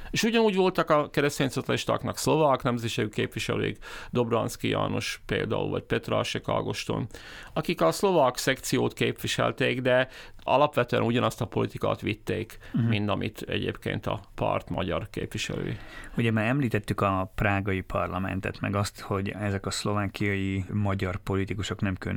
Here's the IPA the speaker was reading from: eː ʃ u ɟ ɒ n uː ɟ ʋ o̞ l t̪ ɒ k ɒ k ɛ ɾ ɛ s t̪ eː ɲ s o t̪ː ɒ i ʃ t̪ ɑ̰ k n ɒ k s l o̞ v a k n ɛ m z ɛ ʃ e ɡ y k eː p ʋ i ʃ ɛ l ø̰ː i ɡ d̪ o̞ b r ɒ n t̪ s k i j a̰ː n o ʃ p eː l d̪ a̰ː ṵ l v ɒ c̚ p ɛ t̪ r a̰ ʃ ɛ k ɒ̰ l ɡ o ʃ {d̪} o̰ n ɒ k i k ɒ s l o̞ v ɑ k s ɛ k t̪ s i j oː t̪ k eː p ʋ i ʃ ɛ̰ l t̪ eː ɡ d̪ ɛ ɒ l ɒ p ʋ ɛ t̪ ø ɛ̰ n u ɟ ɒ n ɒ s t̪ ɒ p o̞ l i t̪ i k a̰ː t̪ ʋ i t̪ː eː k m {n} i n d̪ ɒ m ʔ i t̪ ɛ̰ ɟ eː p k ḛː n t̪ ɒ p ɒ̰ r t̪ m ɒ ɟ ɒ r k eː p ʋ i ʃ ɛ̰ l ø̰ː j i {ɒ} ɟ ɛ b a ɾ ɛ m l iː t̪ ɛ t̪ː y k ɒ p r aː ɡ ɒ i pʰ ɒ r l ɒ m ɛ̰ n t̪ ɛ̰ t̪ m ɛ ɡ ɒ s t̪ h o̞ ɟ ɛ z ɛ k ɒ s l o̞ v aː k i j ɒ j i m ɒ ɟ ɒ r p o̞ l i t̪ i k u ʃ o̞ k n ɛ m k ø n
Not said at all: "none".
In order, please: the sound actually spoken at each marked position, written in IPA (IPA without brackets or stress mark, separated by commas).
t̪, m, u